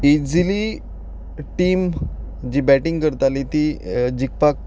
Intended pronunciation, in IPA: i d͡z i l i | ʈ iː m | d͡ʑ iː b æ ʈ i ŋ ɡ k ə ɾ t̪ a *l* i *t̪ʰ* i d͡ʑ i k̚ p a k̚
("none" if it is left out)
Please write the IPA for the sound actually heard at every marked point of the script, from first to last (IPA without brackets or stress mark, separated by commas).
l, t̪